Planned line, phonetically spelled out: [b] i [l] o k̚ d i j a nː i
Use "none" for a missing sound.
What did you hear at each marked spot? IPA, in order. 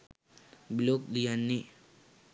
b, l

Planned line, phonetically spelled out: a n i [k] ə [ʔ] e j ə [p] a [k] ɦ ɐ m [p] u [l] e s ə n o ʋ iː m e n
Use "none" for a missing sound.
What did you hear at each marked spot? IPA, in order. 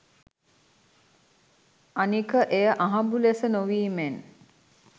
k, ʔ, ʔ, none, b, l

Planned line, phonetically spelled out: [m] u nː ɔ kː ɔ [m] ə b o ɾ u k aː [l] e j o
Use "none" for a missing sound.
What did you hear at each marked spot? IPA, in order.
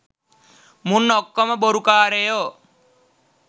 m, m, ɾ

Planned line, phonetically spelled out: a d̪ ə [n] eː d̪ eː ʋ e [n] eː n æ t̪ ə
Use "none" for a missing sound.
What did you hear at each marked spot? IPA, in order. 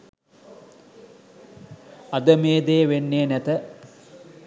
m, nː

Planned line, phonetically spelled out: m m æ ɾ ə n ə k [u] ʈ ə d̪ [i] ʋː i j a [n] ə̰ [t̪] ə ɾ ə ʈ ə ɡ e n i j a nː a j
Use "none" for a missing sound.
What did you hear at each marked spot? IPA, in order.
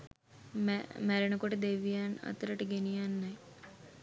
o, e, n, t̪

